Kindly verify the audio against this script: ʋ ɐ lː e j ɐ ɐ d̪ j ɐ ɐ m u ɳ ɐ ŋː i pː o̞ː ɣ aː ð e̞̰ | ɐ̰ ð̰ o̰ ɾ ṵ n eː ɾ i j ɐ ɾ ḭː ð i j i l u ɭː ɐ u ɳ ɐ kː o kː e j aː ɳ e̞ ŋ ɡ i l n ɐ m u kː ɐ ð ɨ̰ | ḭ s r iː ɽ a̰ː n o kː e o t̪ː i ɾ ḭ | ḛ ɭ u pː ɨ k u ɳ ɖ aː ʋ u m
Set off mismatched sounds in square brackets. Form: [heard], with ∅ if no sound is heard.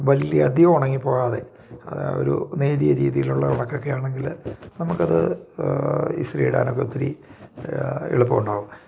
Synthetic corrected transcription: ʋ ɐ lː [i] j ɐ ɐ d̪ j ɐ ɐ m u ɳ ɐ ŋː i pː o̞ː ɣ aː ð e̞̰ | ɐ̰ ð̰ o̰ ɾ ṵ n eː ɾ i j ɐ ɾ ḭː ð i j i l u ɭː ɐ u ɳ ɐ kː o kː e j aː ɳ e̞ ŋ ɡ i l n ɐ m u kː ɐ ð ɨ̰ | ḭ s r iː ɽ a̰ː n o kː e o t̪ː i ɾ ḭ | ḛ ɭ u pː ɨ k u ɳ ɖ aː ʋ u m